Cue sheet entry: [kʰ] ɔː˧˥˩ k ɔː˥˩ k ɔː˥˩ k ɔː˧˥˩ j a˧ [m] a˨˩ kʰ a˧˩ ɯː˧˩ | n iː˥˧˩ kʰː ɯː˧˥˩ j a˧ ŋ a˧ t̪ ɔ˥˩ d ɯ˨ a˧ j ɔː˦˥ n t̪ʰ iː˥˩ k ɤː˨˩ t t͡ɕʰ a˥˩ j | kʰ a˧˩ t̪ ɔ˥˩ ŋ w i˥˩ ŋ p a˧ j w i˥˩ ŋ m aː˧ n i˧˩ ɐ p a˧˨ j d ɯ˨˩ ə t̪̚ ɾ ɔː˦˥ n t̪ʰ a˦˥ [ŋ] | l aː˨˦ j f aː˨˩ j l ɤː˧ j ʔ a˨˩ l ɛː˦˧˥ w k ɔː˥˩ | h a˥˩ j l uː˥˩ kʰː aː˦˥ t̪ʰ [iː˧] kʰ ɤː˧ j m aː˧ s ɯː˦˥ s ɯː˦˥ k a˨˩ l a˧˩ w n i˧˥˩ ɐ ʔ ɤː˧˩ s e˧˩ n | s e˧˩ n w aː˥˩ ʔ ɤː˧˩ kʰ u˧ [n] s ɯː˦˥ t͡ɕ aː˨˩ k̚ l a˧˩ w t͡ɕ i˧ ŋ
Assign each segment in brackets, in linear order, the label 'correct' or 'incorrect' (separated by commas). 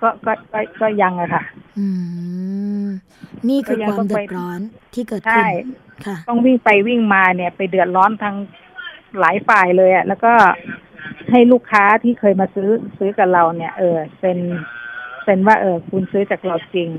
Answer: incorrect, incorrect, correct, incorrect, correct